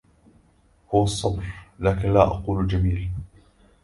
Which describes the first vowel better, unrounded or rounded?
rounded